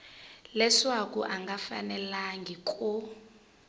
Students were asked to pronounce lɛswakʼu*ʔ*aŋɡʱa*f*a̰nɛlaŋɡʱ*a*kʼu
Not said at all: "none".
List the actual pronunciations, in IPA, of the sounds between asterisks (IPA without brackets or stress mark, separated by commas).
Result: ʔ, f, i